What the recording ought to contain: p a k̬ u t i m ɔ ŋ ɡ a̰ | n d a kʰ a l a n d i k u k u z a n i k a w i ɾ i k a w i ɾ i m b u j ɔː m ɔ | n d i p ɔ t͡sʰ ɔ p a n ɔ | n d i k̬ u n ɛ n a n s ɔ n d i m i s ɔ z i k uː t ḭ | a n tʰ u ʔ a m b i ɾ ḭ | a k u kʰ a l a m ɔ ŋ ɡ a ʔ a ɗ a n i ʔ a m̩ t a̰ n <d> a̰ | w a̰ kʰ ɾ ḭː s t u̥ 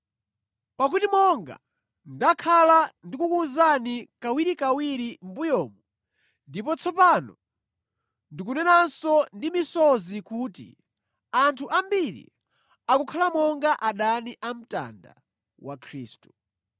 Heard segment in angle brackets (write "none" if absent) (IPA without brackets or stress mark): d